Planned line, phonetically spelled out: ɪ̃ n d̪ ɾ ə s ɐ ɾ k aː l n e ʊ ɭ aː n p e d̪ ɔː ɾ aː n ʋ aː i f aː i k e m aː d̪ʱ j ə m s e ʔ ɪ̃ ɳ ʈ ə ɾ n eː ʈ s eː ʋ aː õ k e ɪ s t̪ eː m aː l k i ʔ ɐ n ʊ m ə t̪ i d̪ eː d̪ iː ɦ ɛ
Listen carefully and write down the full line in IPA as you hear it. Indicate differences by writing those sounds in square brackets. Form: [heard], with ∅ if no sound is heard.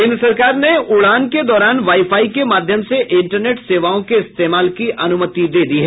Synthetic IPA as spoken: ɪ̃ n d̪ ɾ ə s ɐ ɾ k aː [ɾ] n e ʊ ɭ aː n [k] e d̪ ɔː ɾ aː n ʋ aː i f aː i k e m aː d̪ʱ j ə m s e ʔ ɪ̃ ɳ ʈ ə ɾ n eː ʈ s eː ʋ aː õ k e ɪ s t̪ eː m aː l k i ʔ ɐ n ʊ m ə t̪ i d̪ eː d̪ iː ɦ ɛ